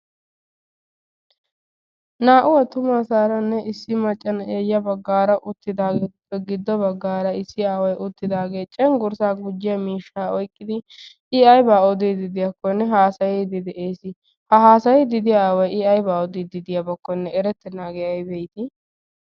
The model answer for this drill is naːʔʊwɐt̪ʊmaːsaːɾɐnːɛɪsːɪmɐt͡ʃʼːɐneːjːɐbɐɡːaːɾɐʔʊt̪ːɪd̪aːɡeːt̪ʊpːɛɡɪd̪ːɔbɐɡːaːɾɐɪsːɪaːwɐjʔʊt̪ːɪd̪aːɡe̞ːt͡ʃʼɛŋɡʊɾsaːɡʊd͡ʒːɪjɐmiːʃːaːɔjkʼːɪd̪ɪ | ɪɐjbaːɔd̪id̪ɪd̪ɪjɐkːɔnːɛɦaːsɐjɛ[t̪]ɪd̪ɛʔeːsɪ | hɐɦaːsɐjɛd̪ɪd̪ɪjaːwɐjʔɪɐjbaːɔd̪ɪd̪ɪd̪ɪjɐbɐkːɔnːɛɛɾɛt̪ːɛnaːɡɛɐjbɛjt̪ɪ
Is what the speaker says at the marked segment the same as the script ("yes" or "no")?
no